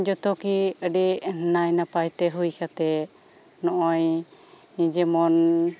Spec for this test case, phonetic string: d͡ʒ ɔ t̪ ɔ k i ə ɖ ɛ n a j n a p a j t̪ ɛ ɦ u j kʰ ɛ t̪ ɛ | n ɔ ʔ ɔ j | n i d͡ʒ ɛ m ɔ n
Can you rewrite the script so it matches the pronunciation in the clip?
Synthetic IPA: d͡ʒ ɔ t̪ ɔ k i ə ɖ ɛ n a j n a p a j t̪ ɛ ɦ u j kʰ a t̪ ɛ | n ɔ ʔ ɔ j | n i d͡ʒ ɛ m ɔ n